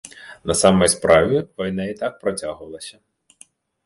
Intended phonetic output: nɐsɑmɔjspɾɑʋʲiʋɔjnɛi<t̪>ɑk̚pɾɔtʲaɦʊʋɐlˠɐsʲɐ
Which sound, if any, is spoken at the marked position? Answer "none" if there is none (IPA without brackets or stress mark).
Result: t̪